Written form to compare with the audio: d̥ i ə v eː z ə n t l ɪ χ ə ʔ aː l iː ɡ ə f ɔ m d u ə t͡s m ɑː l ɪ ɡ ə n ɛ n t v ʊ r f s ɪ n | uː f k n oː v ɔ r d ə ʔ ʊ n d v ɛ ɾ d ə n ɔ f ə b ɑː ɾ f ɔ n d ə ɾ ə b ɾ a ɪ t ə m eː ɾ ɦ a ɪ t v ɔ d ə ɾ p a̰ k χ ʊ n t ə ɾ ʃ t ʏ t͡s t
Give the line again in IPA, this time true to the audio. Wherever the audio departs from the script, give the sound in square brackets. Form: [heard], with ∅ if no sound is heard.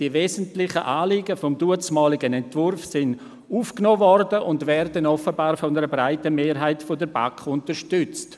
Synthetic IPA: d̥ i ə v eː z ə n t l ɪ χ ə ʔ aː l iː ɡ ə f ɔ m d u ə t͡s m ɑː l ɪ ɡ ə n ɛ n t v ʊ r f s ɪ n | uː f k n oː v ɔ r d ə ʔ ʊ n d v ɛ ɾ d ə n ɔ f ə b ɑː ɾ f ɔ n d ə ɾ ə b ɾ a ɪ t ə m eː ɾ ɦ a ɪ t [f] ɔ d ə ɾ [b] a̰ k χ ʊ n t ə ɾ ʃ t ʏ t͡s t